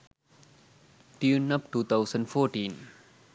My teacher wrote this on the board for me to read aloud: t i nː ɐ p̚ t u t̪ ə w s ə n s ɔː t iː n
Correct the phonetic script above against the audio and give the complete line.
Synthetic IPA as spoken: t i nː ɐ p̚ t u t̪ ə w s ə n f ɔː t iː n